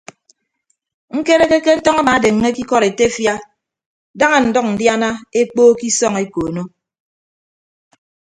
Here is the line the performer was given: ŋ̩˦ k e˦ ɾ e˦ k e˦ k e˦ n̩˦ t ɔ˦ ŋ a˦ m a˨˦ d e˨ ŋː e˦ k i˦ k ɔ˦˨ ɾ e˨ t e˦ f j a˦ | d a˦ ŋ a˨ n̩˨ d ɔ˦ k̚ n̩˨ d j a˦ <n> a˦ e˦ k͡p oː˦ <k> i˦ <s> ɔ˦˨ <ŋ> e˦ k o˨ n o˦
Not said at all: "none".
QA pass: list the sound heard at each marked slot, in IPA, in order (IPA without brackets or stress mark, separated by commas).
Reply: n, k, s, ŋ